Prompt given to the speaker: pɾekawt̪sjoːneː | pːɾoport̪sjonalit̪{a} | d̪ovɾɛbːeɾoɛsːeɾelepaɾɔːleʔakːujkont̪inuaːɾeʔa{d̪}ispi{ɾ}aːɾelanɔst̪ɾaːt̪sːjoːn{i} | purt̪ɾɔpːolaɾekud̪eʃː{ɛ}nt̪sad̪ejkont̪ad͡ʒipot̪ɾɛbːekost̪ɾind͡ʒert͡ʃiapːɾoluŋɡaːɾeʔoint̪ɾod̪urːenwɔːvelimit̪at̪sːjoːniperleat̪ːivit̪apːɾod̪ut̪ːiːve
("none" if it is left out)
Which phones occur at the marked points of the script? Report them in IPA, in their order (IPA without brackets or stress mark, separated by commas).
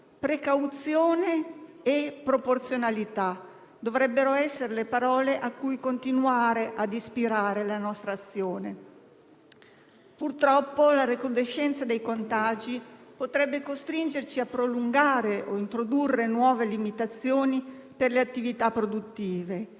a, d̪, ɾ, e, ɛ